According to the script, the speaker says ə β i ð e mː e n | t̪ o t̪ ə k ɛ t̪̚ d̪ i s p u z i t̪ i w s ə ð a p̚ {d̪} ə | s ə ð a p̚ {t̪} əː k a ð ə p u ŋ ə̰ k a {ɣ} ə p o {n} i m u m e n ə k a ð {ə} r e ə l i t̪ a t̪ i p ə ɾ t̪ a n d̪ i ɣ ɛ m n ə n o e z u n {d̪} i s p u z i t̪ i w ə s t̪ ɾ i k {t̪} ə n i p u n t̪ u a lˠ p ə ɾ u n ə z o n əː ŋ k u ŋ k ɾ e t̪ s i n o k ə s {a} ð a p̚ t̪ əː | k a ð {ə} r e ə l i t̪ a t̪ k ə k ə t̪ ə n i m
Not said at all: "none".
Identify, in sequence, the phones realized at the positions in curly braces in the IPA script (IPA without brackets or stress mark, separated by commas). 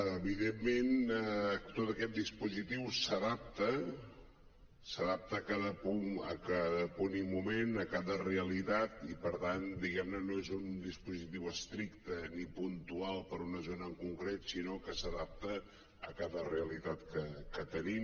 t̪, t̪, ð, n, ə, d̪, t̪, ə, ə